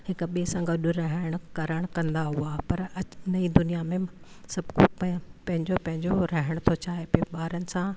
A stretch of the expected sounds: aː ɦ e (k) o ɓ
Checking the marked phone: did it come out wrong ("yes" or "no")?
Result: yes